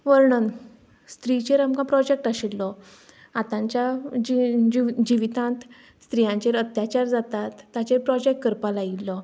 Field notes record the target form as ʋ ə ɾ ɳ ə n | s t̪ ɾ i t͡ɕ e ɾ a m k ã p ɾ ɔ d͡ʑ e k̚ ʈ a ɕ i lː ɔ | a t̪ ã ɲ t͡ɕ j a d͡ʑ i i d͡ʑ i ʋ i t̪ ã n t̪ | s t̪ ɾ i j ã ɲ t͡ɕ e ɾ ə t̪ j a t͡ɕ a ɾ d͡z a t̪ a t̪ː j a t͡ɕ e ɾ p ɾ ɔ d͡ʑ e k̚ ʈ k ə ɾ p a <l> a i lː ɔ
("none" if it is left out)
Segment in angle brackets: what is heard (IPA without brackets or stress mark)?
l